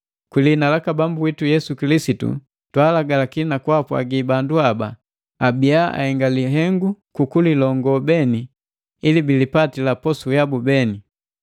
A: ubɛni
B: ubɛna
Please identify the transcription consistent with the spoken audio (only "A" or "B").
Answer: A